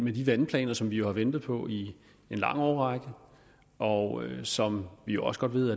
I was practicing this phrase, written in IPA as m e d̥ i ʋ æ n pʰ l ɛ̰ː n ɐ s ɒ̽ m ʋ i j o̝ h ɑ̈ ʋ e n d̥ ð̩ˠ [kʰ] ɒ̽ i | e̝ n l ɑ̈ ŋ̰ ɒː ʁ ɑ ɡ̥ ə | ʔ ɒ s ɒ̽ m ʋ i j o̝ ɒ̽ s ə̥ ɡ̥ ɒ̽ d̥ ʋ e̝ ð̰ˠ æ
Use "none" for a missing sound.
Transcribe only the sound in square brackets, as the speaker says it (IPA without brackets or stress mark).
pʰ